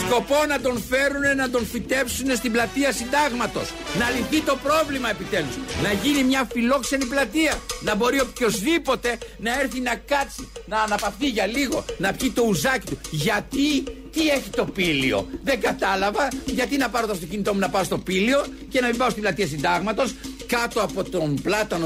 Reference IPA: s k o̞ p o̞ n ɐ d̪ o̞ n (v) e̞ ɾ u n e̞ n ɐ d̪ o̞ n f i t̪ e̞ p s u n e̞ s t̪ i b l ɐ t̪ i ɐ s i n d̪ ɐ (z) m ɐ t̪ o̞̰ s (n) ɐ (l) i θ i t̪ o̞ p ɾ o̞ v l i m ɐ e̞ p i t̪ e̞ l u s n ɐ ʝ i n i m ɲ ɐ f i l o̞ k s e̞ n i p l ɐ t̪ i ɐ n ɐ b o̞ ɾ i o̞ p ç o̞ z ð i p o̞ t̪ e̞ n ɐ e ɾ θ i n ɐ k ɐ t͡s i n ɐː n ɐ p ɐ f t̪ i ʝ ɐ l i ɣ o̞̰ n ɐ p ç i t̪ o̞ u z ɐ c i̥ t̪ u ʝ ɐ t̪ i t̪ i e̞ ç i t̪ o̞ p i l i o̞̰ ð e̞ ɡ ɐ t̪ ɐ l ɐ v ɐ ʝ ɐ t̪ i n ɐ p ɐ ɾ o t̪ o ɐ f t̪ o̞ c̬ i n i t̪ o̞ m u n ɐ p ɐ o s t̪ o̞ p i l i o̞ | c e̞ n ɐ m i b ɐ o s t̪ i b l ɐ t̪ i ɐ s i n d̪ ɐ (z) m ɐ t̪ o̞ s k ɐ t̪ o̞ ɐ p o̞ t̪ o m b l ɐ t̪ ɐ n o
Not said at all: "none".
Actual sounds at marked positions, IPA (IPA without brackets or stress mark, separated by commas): f, ɣ, n, l, ɣ